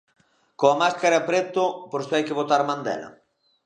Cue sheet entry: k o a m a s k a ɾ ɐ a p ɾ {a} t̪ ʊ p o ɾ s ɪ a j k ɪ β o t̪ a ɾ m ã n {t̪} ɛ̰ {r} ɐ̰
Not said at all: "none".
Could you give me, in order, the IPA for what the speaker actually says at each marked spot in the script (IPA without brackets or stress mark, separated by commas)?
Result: e, d̪, l